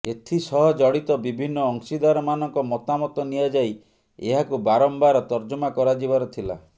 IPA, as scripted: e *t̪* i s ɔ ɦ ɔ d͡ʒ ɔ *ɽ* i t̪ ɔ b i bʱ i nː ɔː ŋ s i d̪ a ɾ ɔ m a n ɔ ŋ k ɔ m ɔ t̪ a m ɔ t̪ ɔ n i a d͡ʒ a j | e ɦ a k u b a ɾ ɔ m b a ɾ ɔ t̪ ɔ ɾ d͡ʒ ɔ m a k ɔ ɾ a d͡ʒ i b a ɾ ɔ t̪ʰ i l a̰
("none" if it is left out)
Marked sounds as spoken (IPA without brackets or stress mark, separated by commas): t̪ʰ, ɽ